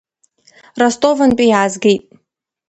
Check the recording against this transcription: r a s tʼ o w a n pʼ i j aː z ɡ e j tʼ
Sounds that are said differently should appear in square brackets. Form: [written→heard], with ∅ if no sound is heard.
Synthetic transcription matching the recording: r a s tʼ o [w→v] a n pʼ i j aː z ɡ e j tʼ

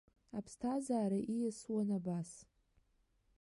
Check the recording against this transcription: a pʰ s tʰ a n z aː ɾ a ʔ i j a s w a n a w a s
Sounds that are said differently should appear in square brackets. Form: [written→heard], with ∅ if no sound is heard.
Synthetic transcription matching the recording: a pʰ s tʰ a [n→∅] z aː ɾ a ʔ i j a s w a n a [w→b] a s

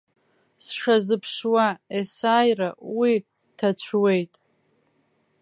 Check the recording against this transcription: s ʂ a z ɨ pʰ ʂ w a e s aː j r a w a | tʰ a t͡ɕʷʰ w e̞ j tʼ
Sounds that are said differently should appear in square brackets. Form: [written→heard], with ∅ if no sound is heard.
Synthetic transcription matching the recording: s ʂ a z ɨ pʰ ʂ w a e s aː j r a w [a→i] | tʰ a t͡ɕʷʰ w e̞ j tʼ

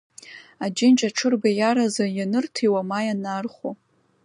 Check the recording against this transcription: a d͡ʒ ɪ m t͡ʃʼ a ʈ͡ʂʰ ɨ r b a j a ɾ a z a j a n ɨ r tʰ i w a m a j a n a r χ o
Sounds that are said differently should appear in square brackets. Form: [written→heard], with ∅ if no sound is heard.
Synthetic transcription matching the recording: a d͡ʒ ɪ [m→n] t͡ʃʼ a ʈ͡ʂʰ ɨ r b a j a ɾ a z a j a n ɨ r tʰ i w a m a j a n a r χ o

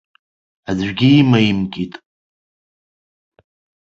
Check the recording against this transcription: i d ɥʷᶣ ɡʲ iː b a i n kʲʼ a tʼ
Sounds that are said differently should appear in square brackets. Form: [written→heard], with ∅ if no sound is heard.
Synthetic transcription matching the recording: [i→a] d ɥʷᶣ ɡʲ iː [b→m] a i [n→m] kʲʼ [a→i] tʼ

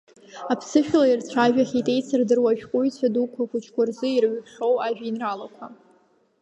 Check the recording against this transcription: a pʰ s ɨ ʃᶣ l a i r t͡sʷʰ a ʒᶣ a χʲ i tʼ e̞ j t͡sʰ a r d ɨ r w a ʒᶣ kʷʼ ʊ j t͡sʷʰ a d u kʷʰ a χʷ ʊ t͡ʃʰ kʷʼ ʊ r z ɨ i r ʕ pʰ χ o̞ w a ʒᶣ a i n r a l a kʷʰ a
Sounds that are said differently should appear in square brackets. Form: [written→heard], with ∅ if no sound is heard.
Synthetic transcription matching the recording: a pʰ s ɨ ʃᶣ l a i r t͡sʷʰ a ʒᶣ a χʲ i tʼ e̞ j t͡sʰ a r d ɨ r w a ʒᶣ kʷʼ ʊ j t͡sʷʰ a d u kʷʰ a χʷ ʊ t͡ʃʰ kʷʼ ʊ r z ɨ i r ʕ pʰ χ o̞ w a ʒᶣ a i n r a l a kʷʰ a

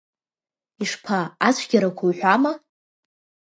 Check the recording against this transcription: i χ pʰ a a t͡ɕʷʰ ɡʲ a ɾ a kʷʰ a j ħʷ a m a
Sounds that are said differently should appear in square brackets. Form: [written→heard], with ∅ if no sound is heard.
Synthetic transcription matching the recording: i [χ→ʂ] pʰ a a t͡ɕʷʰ ɡʲ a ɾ a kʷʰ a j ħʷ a m a

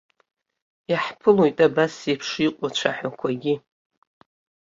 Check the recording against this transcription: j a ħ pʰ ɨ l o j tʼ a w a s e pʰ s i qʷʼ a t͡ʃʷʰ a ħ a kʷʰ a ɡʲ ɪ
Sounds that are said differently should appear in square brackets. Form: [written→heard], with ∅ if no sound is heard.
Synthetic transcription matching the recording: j a ħ pʰ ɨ l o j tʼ a [w→b] a s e pʰ [s→ʂ] i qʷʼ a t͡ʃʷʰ a ħ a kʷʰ a ɡʲ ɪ

